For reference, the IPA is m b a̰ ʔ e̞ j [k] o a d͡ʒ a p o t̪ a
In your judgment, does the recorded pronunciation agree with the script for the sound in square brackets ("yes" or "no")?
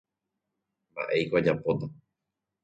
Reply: yes